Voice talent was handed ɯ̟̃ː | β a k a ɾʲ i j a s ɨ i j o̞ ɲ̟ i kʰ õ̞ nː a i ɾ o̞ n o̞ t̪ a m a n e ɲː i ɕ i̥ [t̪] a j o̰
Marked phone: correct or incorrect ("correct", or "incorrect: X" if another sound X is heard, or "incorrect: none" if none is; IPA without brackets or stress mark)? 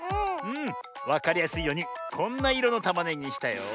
correct